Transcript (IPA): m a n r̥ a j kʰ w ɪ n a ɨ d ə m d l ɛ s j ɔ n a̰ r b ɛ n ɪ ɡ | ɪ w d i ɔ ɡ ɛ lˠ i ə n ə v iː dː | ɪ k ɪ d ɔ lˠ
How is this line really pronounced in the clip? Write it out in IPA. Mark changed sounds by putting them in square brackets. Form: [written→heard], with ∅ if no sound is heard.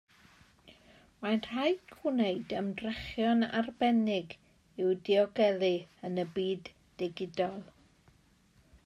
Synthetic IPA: m a n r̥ a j kʰ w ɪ n [a→e] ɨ d ə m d [l→r] ɛ [s→χ] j ɔ n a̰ r b ɛ n ɪ ɡ | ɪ w d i ɔ ɡ ɛ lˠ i ə n ə [v→b] iː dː | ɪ [k→ɡ] ɪ d ɔ lˠ